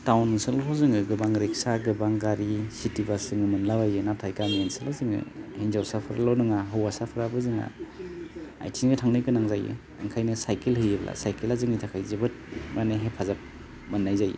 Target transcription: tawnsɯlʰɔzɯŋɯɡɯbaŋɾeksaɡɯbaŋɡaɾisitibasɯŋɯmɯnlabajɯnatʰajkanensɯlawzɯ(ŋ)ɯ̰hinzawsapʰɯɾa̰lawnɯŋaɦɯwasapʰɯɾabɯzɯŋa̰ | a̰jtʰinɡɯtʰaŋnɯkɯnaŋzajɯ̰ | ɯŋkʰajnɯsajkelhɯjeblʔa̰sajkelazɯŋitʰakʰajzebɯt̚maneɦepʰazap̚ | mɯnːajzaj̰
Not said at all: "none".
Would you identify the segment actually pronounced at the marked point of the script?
ŋ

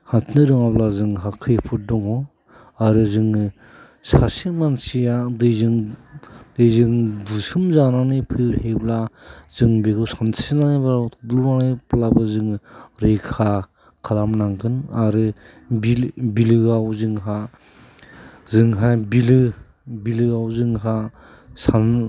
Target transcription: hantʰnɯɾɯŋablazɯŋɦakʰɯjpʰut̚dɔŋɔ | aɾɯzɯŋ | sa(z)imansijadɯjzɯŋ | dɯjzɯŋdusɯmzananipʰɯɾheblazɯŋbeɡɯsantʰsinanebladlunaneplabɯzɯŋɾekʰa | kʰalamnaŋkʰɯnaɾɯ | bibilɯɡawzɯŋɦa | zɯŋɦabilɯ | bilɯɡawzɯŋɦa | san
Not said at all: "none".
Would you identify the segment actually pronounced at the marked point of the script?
s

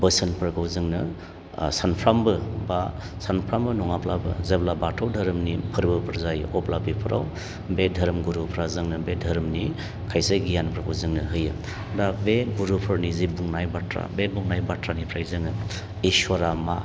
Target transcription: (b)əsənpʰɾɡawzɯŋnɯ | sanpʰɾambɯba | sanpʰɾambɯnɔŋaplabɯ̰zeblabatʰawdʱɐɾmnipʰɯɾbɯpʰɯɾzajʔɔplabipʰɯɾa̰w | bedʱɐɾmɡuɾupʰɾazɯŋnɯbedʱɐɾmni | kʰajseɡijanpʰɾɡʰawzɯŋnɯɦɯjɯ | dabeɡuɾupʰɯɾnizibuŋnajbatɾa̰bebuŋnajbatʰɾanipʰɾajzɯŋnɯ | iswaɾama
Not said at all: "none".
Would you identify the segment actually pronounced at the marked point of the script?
b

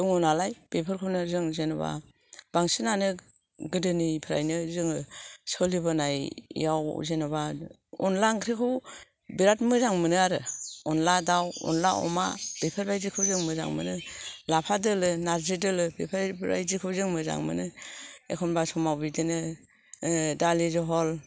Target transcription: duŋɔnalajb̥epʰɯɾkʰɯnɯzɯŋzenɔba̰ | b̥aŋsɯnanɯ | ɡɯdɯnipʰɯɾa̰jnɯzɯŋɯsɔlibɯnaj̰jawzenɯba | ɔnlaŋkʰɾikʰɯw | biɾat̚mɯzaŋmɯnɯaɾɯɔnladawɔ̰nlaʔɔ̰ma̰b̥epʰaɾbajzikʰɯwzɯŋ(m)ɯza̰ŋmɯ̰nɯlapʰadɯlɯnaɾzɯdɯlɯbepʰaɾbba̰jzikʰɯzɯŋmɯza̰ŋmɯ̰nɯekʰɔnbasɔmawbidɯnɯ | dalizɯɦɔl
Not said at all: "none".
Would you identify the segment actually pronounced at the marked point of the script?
m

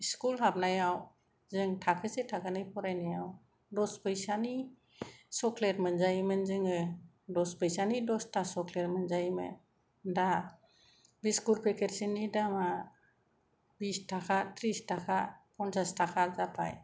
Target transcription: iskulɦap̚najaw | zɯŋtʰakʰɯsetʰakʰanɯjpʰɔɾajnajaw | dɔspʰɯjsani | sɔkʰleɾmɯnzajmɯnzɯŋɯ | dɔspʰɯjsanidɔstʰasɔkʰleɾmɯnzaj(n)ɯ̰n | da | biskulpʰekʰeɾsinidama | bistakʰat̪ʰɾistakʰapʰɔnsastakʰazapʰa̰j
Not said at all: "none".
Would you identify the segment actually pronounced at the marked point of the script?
m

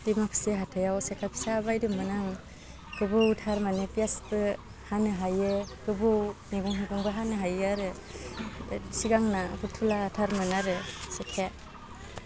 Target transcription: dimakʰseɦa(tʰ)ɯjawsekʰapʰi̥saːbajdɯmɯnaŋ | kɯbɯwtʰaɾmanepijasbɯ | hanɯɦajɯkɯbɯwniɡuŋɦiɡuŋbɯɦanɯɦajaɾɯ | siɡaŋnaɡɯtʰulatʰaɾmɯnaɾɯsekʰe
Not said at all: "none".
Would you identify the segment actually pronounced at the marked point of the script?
tʰ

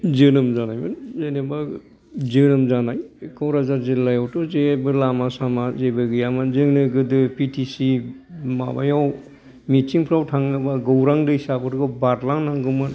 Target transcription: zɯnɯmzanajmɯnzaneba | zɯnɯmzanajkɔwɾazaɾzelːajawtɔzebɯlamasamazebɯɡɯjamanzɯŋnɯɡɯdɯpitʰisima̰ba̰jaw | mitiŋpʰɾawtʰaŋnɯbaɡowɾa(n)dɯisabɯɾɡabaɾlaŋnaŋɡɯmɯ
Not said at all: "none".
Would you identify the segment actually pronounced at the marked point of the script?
ŋ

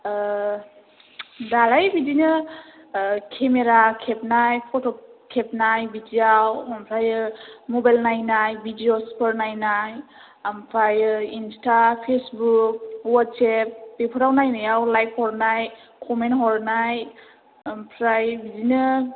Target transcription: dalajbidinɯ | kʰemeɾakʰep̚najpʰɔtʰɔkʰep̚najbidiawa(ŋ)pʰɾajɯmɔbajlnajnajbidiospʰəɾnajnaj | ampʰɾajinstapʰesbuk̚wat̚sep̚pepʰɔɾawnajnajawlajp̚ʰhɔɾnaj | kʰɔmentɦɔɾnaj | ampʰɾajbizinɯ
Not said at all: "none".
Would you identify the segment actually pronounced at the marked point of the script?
m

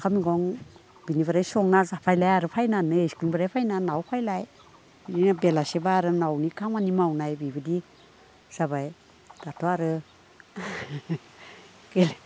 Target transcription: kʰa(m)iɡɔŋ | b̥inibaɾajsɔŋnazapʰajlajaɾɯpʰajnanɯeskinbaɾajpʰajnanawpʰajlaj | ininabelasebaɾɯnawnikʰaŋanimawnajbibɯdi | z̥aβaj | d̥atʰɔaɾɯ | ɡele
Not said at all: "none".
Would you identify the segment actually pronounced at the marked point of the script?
m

